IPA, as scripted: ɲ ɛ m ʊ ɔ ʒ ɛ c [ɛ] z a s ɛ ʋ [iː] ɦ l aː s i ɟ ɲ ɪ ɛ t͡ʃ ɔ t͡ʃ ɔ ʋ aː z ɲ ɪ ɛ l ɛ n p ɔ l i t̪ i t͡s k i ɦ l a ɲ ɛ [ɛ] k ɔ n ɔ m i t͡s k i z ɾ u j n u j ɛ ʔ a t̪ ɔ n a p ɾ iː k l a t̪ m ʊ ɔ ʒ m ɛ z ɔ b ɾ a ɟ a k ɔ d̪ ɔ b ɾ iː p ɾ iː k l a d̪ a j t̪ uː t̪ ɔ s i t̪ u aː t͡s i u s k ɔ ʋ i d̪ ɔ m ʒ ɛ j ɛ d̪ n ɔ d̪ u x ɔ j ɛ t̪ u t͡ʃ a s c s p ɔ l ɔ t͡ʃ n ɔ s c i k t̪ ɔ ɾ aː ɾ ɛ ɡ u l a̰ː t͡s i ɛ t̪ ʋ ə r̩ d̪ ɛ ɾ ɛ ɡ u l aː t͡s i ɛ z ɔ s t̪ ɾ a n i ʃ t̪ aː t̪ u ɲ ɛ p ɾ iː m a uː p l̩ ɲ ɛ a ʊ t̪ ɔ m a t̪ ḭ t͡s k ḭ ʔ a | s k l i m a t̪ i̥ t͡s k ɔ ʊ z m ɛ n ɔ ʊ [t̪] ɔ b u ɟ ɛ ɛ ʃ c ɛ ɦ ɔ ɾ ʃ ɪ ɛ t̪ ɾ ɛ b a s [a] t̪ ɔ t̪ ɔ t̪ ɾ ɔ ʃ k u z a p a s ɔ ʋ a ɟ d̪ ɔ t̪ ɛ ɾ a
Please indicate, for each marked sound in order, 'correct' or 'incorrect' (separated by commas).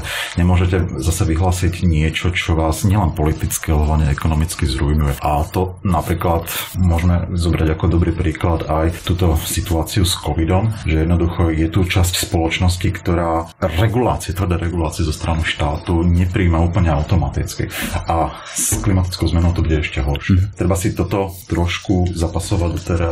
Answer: correct, incorrect, correct, correct, incorrect